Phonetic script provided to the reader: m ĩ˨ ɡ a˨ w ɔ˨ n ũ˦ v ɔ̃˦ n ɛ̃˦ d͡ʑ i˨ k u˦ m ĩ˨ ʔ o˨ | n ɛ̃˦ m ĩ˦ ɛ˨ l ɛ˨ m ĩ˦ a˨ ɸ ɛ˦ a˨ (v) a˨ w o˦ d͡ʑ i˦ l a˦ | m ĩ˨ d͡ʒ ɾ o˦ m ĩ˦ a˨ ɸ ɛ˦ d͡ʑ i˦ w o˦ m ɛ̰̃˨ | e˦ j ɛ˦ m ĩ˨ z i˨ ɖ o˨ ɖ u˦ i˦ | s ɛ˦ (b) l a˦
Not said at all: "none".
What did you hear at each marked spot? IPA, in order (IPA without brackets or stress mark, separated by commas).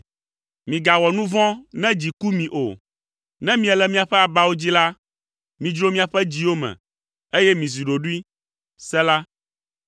b, none